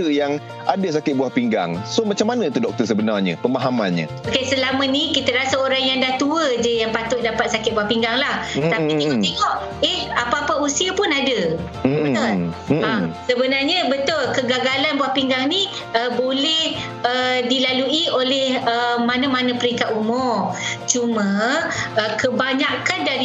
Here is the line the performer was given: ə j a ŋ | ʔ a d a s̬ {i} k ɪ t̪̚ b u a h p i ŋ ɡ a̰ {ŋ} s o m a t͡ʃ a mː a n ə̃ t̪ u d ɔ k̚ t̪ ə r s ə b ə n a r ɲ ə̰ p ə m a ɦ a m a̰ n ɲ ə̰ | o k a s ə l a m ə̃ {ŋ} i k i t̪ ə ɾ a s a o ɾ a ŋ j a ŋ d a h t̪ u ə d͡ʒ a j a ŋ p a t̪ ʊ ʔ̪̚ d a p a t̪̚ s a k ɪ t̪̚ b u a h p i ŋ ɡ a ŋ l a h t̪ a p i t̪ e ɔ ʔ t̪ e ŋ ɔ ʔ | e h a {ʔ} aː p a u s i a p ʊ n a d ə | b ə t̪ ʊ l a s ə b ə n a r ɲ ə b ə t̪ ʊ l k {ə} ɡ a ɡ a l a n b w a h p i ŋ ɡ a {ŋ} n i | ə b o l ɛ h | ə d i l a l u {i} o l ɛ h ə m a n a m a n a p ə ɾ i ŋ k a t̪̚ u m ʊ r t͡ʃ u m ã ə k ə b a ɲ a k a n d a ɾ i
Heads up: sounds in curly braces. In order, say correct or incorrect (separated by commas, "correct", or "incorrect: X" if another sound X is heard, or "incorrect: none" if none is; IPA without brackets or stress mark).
incorrect: a, correct, incorrect: n, incorrect: p, correct, correct, correct